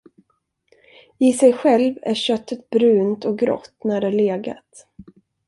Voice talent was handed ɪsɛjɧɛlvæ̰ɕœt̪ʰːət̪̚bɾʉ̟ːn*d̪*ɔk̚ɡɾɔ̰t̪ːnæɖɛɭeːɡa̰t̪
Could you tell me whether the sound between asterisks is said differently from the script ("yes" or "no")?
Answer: yes